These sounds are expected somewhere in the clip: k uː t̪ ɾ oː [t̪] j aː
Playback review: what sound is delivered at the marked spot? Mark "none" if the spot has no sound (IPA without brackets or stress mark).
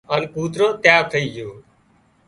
t̪